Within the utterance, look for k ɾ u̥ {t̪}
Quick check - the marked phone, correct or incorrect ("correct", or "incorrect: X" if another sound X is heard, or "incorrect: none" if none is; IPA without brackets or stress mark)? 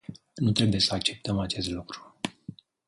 incorrect: none